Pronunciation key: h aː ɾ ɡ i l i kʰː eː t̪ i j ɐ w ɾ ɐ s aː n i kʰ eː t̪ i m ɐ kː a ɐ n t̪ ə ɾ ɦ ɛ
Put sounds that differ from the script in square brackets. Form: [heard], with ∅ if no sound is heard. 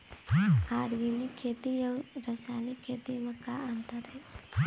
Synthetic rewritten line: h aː ɾ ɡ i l i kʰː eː t̪ i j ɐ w ɾ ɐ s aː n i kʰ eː t̪ i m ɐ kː a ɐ n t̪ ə ɾ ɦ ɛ